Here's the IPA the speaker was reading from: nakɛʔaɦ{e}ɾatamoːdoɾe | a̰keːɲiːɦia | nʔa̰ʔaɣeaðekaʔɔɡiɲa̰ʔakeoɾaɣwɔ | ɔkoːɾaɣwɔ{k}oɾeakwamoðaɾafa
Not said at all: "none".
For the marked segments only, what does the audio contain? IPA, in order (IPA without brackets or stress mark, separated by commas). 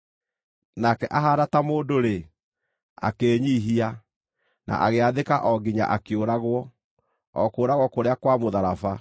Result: a, k